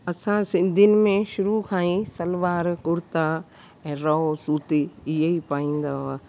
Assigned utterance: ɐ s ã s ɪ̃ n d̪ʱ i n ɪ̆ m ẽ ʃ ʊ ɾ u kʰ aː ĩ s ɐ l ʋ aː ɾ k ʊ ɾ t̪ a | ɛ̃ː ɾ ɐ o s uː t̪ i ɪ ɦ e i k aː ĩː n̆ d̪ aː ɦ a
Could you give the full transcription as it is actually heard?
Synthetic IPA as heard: ɐ s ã s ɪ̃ n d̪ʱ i n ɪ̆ m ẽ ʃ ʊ ɾ u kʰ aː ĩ s ɐ l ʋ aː ɾ k ʊ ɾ t̪ a | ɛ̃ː ɾ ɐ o s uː t̪ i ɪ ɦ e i p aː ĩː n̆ d̪ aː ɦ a